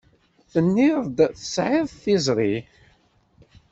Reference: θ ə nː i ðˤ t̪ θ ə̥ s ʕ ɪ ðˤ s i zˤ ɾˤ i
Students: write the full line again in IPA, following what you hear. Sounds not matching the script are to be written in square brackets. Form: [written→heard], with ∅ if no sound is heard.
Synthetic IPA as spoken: θ ə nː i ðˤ [t̪→d̪] θ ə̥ s ʕ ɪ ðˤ [s→θ] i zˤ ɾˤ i